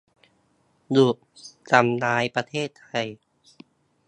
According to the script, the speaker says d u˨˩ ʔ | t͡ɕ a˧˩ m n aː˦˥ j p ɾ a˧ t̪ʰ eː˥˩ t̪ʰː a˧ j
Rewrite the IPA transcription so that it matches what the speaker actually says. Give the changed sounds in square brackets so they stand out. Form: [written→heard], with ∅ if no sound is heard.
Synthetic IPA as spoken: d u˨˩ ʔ | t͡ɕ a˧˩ m n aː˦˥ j p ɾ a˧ t̪ʰ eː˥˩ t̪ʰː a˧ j